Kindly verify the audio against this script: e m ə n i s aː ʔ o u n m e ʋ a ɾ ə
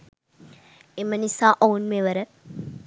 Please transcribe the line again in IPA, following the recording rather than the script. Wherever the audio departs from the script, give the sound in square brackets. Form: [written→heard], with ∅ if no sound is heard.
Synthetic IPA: e m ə n i s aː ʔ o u n m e ʋ [a→ə] ɾ ə